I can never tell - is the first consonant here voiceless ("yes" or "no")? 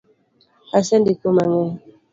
yes